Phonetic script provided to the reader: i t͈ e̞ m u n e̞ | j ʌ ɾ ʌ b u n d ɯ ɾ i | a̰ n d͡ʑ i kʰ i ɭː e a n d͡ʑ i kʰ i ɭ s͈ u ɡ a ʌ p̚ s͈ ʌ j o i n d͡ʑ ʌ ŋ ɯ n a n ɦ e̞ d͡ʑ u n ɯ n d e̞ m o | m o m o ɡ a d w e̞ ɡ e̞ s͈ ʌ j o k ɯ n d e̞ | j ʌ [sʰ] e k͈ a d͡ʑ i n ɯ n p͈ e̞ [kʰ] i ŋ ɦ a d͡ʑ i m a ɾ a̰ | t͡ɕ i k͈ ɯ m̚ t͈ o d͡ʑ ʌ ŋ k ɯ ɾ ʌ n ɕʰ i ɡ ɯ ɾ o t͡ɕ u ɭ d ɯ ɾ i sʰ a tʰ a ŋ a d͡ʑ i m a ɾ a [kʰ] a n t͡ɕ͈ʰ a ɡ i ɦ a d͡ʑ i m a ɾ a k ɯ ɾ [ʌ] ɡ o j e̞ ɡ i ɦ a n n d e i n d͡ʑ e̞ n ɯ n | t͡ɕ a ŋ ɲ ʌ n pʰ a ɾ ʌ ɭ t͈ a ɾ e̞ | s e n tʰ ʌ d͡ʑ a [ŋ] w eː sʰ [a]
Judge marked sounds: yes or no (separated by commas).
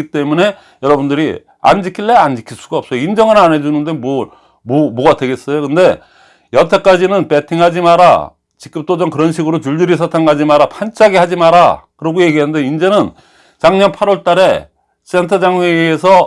no, no, no, yes, yes, no